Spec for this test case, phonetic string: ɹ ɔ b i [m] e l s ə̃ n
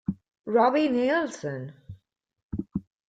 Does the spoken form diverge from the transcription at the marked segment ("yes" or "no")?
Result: yes